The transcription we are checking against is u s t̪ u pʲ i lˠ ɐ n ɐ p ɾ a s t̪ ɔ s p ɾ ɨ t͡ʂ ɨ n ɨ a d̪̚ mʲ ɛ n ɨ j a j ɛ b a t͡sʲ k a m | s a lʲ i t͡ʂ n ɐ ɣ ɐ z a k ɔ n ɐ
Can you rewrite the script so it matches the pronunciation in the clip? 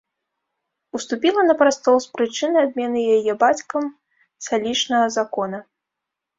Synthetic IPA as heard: u s t̪ u pʲ i lˠ ɐ n ɐ p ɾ a s t̪ ɔ s p ɾ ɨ t͡ʂ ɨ n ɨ a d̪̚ mʲ ɛ n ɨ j a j ɛ b a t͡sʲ k ɐ m | s a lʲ i t͡ʂ n ɐ ɣ ɐ z a k ɔ n ɐ

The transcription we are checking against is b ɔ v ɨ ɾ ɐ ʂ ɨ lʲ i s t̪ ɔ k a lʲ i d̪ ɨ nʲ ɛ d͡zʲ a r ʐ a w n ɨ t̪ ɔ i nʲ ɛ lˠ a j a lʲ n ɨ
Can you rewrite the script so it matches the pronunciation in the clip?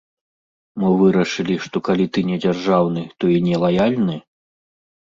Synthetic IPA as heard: m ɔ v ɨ ɾ ɐ ʂ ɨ lʲ i ʂ t̪ ɔ k a lʲ i t̪ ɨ nʲ ɛ d͡zʲ a r ʐ a w n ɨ t̪ ɔ i nʲ ɛ lˠ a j a lʲ n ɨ

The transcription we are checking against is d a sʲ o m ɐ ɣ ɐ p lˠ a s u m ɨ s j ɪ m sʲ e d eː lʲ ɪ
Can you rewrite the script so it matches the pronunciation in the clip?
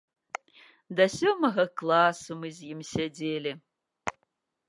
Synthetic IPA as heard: d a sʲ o m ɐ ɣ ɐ k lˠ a s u m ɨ z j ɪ m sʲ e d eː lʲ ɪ

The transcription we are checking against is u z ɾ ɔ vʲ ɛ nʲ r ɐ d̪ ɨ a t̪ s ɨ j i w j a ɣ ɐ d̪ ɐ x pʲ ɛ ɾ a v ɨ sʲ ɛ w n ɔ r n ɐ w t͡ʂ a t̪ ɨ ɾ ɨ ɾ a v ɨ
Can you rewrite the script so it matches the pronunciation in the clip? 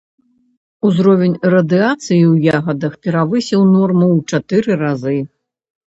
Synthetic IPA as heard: u z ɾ ɔ vʲ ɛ nʲ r ɐ d̪ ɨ a t̪ s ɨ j i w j a ɣ ɐ d̪ ɐ x pʲ ɛ ɾ a v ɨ sʲ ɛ w n ɔ r m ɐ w t͡ʂ a t̪ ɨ ɾ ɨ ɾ a z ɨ

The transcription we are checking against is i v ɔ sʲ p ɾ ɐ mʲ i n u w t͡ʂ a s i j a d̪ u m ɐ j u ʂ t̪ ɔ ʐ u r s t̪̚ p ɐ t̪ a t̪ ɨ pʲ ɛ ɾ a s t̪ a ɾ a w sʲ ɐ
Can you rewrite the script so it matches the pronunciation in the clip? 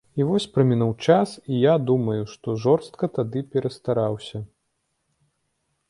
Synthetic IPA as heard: i v ɔ sʲ p ɾ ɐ mʲ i n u w t͡ʂ a s i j a d̪ u m ɐ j u ʂ t̪ ɔ ʐ ɔ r s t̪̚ k ɐ t̪ a d̪ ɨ pʲ ɛ ɾ ɐ s t̪ a ɾ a w sʲ ɐ

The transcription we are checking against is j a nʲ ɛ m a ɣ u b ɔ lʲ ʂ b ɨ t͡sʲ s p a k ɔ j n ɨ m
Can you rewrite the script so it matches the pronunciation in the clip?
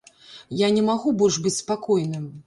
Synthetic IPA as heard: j a nʲ ɛ m a ɣ u b ɔ lʲ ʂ b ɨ t͡sʲ s p a k ɔ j n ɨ m

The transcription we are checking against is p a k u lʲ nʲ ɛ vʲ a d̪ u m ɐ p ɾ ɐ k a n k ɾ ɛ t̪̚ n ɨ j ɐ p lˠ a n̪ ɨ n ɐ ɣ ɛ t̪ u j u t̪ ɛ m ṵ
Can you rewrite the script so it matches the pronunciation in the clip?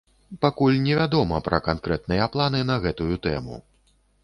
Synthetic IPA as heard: p a k u lʲ nʲ ɛ vʲ a d̪ ɔ m ɐ p ɾ ɐ k a n k ɾ ɛ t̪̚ n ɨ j ɐ p lˠ a n̪ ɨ n ɐ ɣ ɛ t̪ u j u t̪ ɛ m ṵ

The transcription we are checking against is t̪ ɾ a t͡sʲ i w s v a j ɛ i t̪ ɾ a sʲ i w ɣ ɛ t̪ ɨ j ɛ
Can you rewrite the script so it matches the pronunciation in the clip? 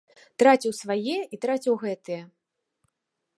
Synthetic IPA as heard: t̪ ɾ a t͡sʲ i w s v a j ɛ i t̪ ɾ a t͡sʲ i w ɣ ɛ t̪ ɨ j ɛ

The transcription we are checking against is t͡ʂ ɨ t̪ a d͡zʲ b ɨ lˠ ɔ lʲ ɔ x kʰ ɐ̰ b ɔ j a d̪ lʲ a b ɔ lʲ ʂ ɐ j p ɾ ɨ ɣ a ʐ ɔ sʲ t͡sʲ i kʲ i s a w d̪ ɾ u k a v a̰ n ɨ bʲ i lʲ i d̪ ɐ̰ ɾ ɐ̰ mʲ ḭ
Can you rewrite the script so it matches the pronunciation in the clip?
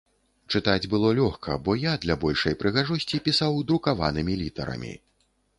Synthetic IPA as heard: t͡ʂ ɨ t̪ a d͡zʲ b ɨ lˠ ɔ lʲ ɔ x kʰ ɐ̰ b ɔ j a d̪ lʲ a b ɔ lʲ ʂ ɐ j p ɾ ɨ ɣ a ʐ ɔ sʲ t͡sʲ i pʲ i s a w d̪ ɾ u k a v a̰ n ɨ mʲ i lʲ i t̪ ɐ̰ ɾ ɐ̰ mʲ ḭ

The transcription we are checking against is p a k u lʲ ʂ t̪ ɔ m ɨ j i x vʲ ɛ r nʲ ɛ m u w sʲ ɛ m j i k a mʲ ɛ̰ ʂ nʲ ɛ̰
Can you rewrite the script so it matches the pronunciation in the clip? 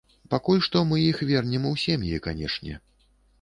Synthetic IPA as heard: p a k u lʲ ʂ t̪ ɔ m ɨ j i x vʲ ɛ r nʲ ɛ m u w sʲ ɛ m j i k a nʲ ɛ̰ ʂ nʲ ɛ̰

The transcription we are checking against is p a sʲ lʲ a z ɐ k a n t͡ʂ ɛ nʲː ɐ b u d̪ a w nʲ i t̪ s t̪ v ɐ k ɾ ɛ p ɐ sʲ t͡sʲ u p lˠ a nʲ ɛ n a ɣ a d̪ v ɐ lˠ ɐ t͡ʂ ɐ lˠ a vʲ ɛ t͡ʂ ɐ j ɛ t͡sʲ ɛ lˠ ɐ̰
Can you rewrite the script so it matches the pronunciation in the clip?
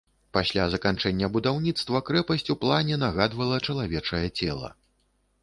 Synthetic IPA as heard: p a sʲ lʲ a z ɐ k a n t͡ʂ ɛ nʲː ɐ b u d̪ a w nʲ i t̪ s t̪ v ɐ k ɾ ɛ p ɐ sʲ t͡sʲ u p lˠ a nʲ ɛ n a ɣ a d̪ v ɐ lˠ ɐ t͡ʂ ɐ lˠ a vʲ ɛ t͡ʂ ɐ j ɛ t͡sʲ ɛ lˠ ɐ̰

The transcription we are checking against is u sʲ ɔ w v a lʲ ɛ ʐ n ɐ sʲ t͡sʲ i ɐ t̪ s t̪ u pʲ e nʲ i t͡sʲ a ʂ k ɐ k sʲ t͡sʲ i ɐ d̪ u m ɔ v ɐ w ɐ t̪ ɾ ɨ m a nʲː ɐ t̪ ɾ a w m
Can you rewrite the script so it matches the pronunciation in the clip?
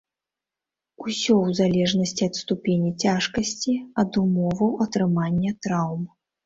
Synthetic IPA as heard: u sʲ ɔ w z a lʲ ɛ ʐ n ɐ sʲ t͡sʲ i ɐ t̪ s t̪ u pʲ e nʲ i t͡sʲ a ʂ k ɐ sʲ t͡sʲ i ɐ d̪ u m ɔ v ɐ w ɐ t̪ ɾ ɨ m a nʲː ɐ t̪ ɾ a w m

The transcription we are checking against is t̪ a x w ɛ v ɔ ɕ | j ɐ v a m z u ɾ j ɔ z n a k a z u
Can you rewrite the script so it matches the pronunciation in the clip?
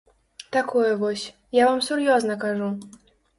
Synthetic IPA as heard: t̪ a k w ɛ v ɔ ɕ | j a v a m s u ɾ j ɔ z n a k a ʐ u

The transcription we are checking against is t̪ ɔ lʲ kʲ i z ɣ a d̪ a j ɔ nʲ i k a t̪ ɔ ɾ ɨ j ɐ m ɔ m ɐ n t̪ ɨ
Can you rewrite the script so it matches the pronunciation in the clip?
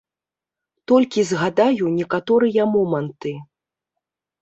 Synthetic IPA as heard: t̪ ɔ lʲ kʲ i z ɣ a d̪ a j u nʲ ɛ k a t̪ ɔ ɾ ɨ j ɐ m ɔ m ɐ n t̪ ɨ

